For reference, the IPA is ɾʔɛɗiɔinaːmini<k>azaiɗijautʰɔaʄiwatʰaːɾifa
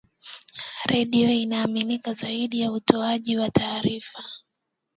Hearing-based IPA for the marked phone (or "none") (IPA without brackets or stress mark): k